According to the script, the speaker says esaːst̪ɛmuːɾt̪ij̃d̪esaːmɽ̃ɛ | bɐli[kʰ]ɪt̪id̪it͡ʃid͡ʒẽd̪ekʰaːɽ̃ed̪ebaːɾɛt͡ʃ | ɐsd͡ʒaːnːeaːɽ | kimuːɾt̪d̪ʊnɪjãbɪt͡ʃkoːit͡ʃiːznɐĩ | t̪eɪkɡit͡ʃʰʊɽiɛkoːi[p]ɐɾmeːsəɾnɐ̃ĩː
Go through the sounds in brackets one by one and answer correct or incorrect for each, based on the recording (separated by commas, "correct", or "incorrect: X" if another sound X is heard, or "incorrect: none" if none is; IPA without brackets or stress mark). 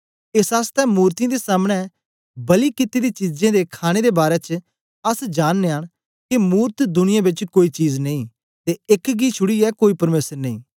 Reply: incorrect: k, correct